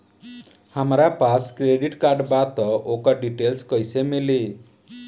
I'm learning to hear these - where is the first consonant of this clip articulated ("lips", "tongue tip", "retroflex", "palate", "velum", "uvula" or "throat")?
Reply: throat